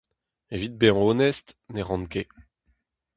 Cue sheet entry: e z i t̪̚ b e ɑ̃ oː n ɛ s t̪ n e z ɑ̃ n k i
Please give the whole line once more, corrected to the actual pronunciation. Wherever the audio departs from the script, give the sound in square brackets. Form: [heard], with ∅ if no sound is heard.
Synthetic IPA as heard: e [v] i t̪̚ b e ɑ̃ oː n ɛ s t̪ n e [ʁ] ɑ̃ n k [e]